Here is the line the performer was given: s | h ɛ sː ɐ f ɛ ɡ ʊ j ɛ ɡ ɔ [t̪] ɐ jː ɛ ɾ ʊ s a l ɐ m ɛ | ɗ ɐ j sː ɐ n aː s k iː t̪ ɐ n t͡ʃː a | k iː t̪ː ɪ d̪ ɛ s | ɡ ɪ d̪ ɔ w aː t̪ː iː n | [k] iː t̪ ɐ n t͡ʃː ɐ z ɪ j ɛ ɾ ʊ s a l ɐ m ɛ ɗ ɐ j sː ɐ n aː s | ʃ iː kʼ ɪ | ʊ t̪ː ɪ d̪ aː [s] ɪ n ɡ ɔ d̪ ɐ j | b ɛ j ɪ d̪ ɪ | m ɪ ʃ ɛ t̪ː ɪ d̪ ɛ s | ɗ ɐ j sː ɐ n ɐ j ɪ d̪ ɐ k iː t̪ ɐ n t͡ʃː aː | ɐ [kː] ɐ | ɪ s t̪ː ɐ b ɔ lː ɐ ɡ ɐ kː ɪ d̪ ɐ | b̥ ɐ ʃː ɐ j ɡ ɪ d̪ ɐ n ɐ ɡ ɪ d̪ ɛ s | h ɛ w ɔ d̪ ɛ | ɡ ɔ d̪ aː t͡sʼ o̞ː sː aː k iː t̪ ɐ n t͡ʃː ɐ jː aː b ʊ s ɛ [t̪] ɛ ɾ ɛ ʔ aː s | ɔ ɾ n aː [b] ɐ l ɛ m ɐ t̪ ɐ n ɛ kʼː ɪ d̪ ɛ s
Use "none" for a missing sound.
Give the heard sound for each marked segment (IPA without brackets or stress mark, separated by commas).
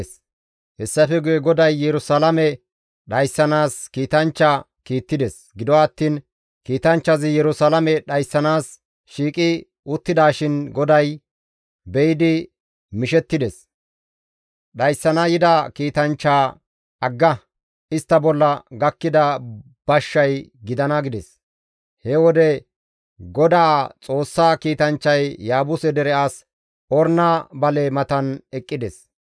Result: d̪, k, ʃ, ɡː, d̪, b